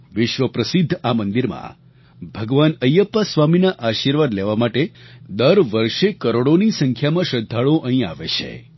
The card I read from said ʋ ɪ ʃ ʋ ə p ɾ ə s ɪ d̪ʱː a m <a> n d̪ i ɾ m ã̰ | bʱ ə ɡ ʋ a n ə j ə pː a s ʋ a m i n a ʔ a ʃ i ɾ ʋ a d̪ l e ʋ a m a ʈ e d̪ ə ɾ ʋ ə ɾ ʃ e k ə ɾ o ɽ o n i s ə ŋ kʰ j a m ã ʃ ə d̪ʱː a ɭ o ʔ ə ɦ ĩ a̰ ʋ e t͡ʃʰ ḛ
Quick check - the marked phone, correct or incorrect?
incorrect